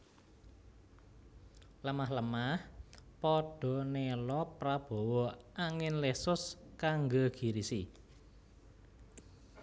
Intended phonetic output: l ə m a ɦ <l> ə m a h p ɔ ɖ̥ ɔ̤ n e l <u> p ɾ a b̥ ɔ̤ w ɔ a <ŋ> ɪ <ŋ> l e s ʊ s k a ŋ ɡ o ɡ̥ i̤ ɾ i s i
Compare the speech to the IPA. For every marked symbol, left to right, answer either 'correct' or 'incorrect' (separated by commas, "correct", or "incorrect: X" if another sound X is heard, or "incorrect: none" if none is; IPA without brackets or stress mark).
correct, incorrect: ɔ, correct, incorrect: n